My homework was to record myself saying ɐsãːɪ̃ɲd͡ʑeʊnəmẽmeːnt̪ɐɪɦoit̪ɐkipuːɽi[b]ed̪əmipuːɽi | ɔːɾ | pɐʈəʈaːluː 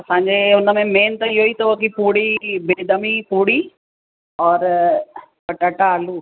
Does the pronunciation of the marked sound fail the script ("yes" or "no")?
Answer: no